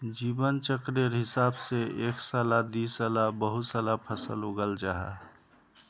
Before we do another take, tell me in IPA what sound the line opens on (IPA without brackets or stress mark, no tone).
d͡ʒ